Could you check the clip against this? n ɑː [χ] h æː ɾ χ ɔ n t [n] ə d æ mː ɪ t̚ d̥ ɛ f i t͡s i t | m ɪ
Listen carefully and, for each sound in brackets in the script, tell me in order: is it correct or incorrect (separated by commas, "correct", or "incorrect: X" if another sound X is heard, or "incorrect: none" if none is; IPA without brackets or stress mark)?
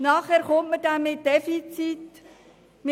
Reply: correct, incorrect: m